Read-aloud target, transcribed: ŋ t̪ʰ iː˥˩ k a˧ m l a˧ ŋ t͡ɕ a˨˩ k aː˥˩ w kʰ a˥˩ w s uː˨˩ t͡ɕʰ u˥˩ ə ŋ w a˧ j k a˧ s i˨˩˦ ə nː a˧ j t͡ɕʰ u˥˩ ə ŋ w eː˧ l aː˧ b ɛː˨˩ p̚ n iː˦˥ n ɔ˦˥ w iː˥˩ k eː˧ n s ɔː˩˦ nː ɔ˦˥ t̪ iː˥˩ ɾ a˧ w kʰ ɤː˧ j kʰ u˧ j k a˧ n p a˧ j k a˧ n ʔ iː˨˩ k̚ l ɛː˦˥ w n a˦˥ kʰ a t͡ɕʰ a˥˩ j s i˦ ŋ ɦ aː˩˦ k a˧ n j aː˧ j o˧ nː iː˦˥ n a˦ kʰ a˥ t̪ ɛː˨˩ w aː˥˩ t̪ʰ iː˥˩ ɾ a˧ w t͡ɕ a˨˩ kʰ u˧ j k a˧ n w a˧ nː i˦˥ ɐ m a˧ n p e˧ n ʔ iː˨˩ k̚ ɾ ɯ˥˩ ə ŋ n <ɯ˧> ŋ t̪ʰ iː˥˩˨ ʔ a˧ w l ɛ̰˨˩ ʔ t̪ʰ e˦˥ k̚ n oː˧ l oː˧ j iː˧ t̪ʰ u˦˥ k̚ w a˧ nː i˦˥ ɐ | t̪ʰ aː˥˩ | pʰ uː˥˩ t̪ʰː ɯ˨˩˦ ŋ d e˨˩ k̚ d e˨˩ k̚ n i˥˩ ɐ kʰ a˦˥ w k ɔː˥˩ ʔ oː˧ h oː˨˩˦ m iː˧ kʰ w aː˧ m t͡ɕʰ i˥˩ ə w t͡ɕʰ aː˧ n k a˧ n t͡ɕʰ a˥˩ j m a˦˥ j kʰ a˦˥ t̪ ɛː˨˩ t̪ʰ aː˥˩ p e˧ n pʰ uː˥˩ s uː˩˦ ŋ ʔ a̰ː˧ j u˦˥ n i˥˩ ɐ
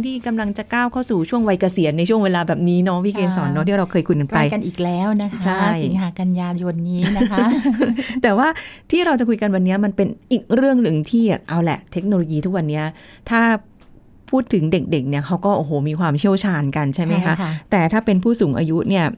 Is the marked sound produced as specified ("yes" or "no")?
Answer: no